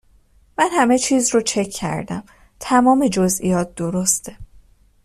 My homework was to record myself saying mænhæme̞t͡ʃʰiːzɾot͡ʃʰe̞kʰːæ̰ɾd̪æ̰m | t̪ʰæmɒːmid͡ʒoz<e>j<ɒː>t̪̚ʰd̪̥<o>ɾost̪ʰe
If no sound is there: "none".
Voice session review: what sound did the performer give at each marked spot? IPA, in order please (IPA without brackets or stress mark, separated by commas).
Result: i, ɒː, o